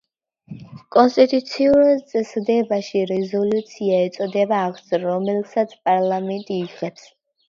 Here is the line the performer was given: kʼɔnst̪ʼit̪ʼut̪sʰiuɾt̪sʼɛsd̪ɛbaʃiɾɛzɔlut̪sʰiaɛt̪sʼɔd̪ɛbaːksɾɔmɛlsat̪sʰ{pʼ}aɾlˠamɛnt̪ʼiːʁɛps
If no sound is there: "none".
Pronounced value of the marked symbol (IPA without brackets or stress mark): pʼ